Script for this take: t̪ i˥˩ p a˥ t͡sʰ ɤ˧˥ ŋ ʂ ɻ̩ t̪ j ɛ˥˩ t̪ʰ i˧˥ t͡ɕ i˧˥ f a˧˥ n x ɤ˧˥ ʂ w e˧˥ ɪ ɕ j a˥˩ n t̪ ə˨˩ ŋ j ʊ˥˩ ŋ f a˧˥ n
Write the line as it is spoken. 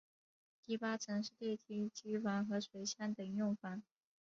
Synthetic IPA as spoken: t̪ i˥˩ p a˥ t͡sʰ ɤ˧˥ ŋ ʂ ɻ̩ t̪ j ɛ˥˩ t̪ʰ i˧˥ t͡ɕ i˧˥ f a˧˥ n x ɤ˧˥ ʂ w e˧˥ ɪ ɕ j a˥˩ n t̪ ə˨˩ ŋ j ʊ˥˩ ŋ f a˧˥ n